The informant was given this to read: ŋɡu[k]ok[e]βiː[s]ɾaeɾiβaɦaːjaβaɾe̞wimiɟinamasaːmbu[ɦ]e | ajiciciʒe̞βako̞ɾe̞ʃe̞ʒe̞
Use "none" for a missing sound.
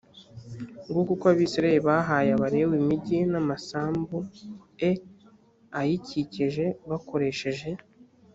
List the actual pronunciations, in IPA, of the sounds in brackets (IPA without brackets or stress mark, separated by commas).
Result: k, a, s, none